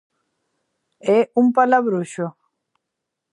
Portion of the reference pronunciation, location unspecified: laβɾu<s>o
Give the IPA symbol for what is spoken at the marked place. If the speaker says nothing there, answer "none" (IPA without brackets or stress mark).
ʃ